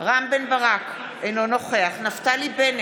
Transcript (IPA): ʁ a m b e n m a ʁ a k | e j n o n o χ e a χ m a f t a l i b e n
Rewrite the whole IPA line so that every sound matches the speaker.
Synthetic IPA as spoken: ʁ a m b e n b a ʁ a k | e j n o n o χ e a χ n a f t a l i b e n